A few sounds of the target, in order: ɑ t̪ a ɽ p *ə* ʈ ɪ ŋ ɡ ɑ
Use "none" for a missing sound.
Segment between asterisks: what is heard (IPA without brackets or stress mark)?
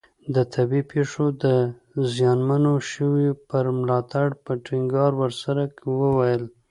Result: ə